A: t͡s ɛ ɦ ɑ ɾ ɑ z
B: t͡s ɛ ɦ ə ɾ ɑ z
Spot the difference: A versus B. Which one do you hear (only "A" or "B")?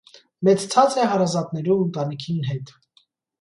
A